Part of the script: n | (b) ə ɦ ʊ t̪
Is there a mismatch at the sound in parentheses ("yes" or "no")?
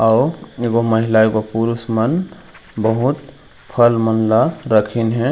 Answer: no